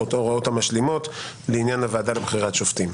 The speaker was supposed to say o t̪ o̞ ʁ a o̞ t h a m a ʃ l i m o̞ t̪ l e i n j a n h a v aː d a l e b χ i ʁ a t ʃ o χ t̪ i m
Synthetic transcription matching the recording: o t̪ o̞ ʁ a o̞ t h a m a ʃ l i m o̞ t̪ l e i n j a n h a v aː d a l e b χ i ʁ a t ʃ o f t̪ i m